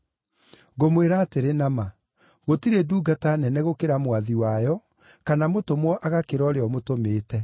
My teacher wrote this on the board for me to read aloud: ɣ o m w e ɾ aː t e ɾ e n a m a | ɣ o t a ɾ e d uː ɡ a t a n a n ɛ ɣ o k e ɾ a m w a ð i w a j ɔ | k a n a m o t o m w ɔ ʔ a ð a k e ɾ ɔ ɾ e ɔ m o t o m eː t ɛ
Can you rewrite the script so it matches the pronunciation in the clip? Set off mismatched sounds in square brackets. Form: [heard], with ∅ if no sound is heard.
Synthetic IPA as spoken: ɣ o m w e ɾ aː t e ɾ e n a m a | ɣ o t [i] ɾ e d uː ɡ a t a n [ɛ] n ɛ ɣ o k e ɾ a m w a ð i w a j ɔ | k a n a m o t o m w ɔ ʔ a [ɣ] a k e ɾ ɔ ɾ e ɔ m o t o m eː t ɛ